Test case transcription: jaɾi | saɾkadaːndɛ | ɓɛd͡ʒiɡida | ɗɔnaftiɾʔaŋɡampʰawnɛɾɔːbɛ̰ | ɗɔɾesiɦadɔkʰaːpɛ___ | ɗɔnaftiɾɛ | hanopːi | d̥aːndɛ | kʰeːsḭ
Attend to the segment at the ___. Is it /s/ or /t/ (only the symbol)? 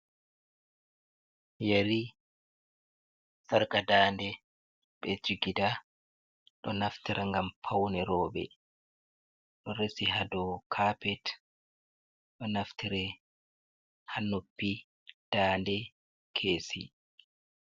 t